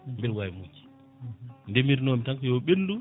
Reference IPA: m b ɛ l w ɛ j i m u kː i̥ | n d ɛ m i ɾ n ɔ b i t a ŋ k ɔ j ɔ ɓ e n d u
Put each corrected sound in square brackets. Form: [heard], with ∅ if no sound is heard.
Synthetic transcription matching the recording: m b ɛ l w [a] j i m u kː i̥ | n d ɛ m i ɾ n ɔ [m] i t a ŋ k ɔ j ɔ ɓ e n d u